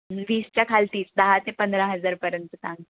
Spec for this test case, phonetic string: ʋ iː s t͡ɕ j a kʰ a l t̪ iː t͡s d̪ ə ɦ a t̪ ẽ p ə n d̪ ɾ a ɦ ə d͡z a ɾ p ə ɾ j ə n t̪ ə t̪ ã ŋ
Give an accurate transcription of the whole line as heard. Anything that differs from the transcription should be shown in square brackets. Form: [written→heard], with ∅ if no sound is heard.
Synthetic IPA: ʋ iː s t͡ɕ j a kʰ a l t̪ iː t͡s d̪ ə ɦ a t̪ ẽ p ə n d̪ ɾ a ɦ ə d͡z a ɾ p ə ɾ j ə n t̪ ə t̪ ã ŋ